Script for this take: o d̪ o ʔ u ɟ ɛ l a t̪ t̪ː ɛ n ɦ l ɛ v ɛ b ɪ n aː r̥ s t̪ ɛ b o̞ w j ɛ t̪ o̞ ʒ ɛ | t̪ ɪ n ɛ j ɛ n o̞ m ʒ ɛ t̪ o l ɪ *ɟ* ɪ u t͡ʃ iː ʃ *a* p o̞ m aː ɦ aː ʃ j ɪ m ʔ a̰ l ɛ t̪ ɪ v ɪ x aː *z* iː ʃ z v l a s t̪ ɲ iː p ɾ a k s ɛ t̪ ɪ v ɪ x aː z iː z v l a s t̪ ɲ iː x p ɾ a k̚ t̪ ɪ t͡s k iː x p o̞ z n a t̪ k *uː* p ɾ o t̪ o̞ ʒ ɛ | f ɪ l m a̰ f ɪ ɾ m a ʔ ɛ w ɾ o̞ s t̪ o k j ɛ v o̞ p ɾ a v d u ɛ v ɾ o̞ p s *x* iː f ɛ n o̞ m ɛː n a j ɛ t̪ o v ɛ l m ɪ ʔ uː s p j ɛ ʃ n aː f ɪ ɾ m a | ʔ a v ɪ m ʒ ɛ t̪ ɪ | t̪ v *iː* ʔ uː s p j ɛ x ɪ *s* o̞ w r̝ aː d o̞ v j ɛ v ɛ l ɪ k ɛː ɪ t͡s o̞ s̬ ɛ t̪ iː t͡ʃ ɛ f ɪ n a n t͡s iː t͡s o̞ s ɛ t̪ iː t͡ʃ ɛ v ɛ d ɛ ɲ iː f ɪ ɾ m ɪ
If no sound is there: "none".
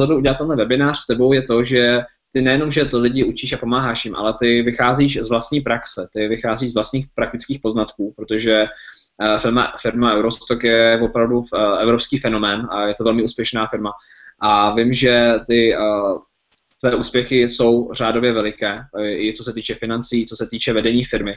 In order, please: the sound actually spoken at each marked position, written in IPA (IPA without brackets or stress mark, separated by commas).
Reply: ɟ, a, z, uː, k, ɛː, s